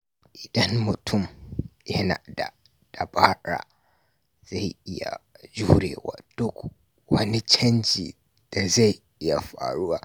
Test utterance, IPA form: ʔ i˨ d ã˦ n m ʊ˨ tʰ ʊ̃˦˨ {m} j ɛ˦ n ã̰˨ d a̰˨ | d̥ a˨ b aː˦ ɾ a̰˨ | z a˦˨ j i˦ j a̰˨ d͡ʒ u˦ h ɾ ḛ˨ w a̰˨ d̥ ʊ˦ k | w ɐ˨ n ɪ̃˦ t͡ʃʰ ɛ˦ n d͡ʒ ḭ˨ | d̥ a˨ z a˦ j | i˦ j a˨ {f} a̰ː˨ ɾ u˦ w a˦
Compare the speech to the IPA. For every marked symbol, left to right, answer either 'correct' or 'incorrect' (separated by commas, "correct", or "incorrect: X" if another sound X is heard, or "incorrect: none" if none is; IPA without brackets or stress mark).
correct, correct